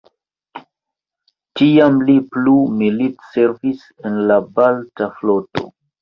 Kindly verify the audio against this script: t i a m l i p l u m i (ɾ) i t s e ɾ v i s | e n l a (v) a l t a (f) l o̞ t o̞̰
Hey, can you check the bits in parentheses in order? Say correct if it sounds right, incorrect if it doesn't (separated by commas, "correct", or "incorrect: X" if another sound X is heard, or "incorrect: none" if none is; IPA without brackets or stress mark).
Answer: incorrect: l, incorrect: b, correct